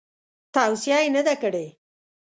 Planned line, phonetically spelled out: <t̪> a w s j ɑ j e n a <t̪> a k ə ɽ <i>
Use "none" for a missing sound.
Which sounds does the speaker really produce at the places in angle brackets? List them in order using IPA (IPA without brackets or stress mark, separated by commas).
t̪, d̪, e